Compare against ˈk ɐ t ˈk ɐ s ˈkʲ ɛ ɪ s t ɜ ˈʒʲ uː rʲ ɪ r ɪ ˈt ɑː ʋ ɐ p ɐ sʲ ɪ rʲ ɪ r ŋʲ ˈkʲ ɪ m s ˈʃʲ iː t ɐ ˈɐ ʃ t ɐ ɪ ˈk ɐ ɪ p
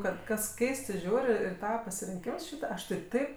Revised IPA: ˈk ɐ t ˈk ɐ s ˈkʲ ɛ ɪ s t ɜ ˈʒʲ uː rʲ ɪ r ɪ ˈt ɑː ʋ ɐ p ɐ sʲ ɪ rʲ ɪ ŋʲ ˈkʲ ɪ m s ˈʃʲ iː t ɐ ˈɐ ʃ t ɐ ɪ ˈt ɐ ɪ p

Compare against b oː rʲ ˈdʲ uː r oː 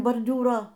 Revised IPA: b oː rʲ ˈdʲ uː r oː

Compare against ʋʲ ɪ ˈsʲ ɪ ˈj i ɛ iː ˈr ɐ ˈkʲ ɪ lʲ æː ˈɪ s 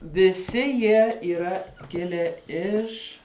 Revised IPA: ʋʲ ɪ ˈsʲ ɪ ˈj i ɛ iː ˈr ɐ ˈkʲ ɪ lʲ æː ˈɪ ʃ

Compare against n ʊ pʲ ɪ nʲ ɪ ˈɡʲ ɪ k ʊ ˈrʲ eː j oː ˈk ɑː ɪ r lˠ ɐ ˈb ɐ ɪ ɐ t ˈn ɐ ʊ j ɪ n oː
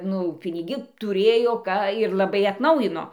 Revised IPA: n ʊ pʲ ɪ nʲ ɪ ˈɡʲ ɪ t ʊ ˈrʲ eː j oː ˈk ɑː ɪ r lˠ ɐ ˈb ɐ ɪ ɐ t ˈn ɐ ʊ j ɪ n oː

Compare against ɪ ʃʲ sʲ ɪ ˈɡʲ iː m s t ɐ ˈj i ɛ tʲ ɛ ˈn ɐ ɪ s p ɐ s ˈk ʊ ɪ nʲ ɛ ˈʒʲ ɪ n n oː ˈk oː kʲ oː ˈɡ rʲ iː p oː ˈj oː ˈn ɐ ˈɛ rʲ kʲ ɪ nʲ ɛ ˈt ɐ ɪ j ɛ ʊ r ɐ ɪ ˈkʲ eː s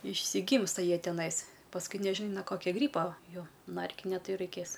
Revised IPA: ɪ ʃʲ sʲ ɪ ˈɡʲ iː m s t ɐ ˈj i ɛ tʲ ɛ ˈn ɐ ɪ s p ɐ s ˈk ʊ ɪ nʲ ɛ ˈʒʲ ɪ n n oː ˈk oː kʲ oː ˈɡ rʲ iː p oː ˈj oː ˈn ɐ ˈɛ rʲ kʲ ɪ nʲ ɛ ˈt ɐ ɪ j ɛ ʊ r ɐ ɪ ˈkʲ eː s

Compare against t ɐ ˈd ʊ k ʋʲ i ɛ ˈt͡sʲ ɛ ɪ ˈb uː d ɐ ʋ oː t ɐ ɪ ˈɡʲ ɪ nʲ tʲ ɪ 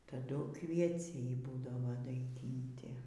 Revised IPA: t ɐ ˈd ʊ k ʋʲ i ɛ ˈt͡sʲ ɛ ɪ ˈb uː d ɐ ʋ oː d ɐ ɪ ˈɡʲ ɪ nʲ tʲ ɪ

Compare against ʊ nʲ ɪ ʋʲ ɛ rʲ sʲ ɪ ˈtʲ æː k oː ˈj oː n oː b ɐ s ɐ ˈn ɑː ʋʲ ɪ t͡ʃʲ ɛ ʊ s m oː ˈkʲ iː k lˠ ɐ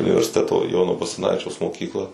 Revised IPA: ʊ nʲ ɪ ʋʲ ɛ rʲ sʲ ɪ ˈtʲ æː t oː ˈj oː n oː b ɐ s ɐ ˈn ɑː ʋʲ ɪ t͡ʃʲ ɛ ʊ s m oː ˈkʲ iː k lˠ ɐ

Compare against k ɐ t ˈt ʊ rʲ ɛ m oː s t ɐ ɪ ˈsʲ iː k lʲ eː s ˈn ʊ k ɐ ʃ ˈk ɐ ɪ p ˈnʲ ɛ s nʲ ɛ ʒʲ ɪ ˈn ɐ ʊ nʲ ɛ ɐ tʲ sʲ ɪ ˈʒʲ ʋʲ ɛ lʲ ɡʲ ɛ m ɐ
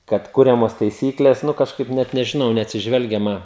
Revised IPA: k ɐ t ˈk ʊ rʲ ɛ m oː s t ɐ ɪ ˈsʲ iː k lʲ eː s ˈn ʊ k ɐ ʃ ˈk ɐ ɪ p ˈnʲ ɛ t nʲ ɛ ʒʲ ɪ ˈn ɐ ʊ nʲ ɛ ɐ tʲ sʲ ɪ ˈʒʲ ʋʲ ɛ lʲ ɡʲ ɛ m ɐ

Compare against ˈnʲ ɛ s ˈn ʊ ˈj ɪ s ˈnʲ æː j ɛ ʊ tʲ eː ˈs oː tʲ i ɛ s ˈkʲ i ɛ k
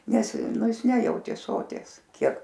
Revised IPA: ˈnʲ ɛ s ˈn ʊ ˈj ɪ s ˈnʲ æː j ɛ ʊ tʲ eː ˈs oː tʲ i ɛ s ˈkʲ i ɛ k

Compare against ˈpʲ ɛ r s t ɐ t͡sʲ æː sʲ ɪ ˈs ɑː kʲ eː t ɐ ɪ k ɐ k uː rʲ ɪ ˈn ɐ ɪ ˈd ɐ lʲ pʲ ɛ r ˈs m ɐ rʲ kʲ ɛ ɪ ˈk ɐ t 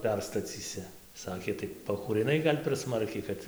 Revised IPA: ˈpʲ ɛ r s t ɐ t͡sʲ iː sʲ ɪ ˈs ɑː kʲ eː t ɐ ɪ p ɐ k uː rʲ ɪ ˈn ɐ ɪ ˈɡ ɐ lʲ pʲ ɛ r ˈs m ɐ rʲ kʲ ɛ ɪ ˈk ɐ t

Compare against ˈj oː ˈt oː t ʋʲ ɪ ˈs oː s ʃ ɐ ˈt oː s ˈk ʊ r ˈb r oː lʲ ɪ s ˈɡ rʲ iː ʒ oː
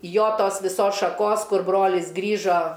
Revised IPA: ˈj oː ˈt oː s ʋʲ ɪ ˈs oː s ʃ ɐ ˈk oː s ˈk ʊ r ˈb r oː lʲ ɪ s ˈɡ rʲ iː ʒ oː

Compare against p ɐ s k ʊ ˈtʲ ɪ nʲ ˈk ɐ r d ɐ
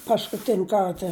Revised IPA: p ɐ s k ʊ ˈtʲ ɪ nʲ ˈk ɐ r t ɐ

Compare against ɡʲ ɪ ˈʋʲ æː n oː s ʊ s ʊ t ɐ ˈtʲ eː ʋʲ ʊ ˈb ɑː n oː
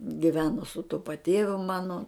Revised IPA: ɡʲ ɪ ˈʋʲ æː n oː s ʊ t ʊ p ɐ ˈtʲ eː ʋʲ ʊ ˈm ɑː n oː

